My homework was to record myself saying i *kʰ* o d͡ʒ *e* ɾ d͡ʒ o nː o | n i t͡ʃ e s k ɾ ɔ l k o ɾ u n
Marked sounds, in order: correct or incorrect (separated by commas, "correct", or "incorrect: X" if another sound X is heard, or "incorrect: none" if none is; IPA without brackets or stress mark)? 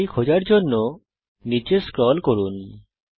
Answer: correct, incorrect: a